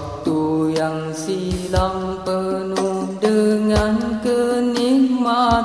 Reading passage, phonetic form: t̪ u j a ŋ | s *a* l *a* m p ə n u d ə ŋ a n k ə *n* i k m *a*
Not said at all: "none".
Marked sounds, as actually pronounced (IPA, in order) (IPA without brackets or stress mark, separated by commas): i, a, n, a